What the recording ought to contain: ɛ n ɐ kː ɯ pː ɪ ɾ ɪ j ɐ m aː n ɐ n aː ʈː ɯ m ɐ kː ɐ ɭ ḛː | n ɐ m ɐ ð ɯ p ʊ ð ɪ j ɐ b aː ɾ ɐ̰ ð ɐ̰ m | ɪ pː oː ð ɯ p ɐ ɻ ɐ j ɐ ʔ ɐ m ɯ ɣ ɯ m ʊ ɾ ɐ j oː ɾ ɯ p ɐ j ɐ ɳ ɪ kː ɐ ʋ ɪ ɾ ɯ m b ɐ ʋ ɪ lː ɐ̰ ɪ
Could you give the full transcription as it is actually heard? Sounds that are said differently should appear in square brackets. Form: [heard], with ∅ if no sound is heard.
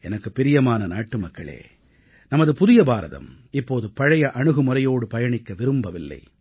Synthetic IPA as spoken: ɛ n ɐ kː ɯ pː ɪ ɾ ɪ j ɐ m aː n ɐ n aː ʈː ɯ m ɐ kː ɐ ɭ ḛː | n ɐ m ɐ ð ɯ p ʊ ð ɪ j ɐ b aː ɾ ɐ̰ ð ɐ̰ m | ɪ pː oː ð ɯ p ɐ ɻ ɐ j ɐ ʔ ɐ [ɳ] ɯ ɣ ɯ m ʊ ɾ ɐ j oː [ɽ] ɯ p ɐ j ɐ ɳ ɪ kː ɐ ʋ ɪ ɾ ɯ m b ɐ ʋ ɪ lː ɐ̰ ɪ